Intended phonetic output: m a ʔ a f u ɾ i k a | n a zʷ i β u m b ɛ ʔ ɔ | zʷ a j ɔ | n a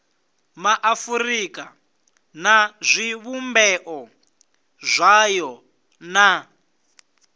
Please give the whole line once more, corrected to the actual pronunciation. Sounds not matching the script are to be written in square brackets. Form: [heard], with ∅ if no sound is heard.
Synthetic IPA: m a ʔ a f u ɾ i k a | n a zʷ i β u m b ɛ ʔ ɔ | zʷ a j ɔ | n a